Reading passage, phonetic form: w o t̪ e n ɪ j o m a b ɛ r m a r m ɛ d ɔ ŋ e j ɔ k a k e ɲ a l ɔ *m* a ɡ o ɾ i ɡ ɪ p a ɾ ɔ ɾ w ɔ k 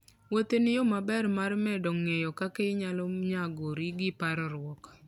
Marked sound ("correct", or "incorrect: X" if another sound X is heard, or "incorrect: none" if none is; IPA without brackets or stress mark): incorrect: ɲ